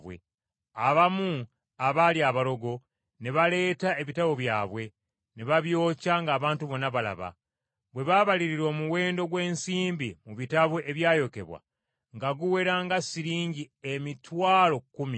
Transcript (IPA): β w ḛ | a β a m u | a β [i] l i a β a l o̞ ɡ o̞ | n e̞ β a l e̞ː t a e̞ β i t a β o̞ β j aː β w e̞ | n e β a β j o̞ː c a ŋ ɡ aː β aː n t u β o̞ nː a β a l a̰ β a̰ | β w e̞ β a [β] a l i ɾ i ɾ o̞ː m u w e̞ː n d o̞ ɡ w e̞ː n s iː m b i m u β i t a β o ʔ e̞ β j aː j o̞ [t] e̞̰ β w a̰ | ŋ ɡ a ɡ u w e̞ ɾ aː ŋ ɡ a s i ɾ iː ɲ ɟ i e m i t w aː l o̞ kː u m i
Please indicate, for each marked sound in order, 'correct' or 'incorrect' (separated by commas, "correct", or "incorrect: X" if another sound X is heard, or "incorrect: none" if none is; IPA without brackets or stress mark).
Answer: incorrect: a, correct, incorrect: k